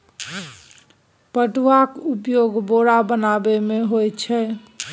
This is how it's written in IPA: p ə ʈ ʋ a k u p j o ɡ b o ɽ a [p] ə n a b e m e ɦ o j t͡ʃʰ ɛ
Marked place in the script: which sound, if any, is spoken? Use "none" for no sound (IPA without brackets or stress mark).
b